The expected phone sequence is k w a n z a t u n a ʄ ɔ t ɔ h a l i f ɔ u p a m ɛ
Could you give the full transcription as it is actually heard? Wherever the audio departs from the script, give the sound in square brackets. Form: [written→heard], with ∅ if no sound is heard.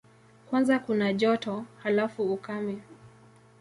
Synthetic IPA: k w a n z a [t→k] u n a ʄ ɔ t ɔ h a l [i→a] f [ɔ→u] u [p→k] a m ɛ